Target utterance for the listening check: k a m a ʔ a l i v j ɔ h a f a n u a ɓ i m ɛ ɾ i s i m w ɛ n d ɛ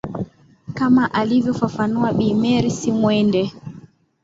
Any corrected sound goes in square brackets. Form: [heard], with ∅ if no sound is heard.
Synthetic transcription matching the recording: k a m a ʔ a l i v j ɔ [f] a f a n u a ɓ i m ɛ ɾ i s i m w ɛ n d ɛ